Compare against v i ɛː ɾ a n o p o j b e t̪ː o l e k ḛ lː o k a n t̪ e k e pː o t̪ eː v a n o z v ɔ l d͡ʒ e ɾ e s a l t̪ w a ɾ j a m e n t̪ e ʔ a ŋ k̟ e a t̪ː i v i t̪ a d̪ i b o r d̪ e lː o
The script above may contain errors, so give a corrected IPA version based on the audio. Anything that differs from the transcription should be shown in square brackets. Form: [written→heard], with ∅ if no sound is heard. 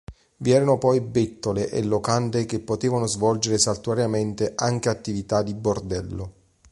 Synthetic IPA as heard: v i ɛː ɾ a n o p [o→ɔ] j b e t̪ː o l e [k→ʔ] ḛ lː o k a n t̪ e k e pː o t̪ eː v a n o z v ɔ l d͡ʒ e ɾ e s a l t̪ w a ɾ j a m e n t̪ e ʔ a ŋ k̟ e a t̪ː i v i t̪ a d̪ i b o r d̪ [e→ɛ] lː o